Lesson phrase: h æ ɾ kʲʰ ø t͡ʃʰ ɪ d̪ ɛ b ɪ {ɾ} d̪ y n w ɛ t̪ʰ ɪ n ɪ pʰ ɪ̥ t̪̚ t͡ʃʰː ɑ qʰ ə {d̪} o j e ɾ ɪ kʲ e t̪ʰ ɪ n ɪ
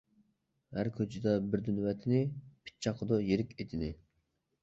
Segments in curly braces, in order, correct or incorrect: correct, correct

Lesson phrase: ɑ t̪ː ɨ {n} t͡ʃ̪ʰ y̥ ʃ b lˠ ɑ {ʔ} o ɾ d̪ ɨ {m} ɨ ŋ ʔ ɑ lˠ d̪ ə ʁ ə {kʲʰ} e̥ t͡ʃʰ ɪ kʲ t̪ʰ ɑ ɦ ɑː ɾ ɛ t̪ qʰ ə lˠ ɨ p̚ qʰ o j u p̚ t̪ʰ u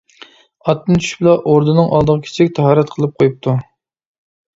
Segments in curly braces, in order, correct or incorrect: correct, correct, incorrect: n, correct

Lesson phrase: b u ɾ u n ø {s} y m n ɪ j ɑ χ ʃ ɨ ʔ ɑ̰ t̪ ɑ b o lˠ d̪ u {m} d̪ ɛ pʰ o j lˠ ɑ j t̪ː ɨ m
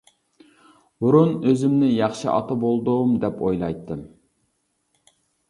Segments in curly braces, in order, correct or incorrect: incorrect: z, correct

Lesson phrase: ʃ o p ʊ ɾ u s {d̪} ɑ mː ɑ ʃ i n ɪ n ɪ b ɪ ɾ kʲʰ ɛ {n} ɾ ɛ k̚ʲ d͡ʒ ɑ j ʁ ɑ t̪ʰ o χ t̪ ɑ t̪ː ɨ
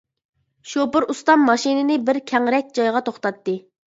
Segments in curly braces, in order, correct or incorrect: incorrect: t̪, incorrect: ŋ

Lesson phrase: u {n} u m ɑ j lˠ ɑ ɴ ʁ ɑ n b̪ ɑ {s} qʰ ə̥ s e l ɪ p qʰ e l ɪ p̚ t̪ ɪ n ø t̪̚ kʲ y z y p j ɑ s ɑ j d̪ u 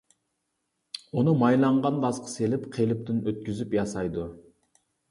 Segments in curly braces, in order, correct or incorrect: correct, correct

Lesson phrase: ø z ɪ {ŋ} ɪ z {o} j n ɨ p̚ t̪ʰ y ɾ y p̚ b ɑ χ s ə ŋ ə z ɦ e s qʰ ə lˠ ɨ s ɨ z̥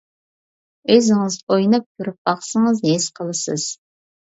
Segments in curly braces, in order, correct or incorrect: correct, correct

